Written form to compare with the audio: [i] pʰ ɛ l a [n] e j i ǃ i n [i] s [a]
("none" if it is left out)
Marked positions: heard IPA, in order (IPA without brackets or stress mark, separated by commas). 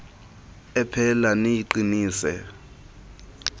ɛ, n, iː, ɛ